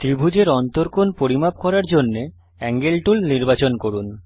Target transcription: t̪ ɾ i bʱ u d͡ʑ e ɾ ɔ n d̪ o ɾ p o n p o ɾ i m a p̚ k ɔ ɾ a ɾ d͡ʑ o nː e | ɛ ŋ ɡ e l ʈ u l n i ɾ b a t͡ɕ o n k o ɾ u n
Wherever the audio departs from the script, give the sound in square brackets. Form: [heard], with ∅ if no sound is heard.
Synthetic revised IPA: t̪ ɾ i bʱ u d͡ʑ e ɾ ɔ n [t̪] o ɾ [k] o n p o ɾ i m a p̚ k ɔ ɾ a ɾ d͡ʑ o nː e | ɛ ŋ ɡ e l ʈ u l n i ɾ b a t͡ɕ o n k o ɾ u n